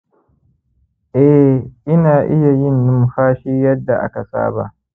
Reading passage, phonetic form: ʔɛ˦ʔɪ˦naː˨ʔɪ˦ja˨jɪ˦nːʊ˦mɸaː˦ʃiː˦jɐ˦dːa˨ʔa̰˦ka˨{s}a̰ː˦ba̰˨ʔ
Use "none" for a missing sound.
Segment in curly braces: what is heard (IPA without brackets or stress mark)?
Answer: s